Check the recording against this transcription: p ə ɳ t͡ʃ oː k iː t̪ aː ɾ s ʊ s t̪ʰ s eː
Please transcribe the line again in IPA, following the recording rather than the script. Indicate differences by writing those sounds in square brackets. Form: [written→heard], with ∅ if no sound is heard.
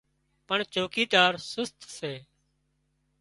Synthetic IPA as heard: p ə ɳ t͡ʃ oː k iː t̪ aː ɾ s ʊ s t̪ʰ s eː